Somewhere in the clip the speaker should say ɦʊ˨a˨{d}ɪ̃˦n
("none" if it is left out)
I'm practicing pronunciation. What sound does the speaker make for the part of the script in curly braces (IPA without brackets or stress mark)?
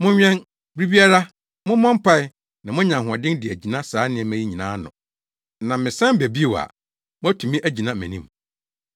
d